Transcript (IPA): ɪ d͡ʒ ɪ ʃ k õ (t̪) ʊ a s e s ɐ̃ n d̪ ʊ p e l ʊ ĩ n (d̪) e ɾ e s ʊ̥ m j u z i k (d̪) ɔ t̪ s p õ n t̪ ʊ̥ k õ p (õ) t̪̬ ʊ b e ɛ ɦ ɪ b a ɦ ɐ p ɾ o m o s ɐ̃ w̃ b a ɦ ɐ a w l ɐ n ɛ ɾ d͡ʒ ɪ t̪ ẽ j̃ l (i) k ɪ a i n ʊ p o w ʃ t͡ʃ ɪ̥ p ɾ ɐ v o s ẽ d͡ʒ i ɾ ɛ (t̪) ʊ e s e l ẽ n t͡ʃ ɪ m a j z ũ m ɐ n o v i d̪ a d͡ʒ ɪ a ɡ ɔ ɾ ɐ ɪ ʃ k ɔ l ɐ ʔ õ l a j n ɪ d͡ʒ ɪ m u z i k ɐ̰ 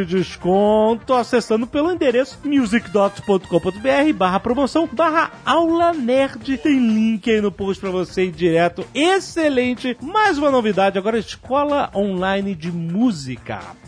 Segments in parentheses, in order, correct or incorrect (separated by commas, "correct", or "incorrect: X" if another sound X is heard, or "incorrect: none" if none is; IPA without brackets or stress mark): correct, correct, correct, correct, incorrect: ĩ, correct